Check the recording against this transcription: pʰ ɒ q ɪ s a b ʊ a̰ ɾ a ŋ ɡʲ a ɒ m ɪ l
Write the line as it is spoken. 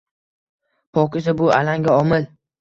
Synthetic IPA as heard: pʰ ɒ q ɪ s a b ʊ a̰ l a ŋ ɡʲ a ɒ m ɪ l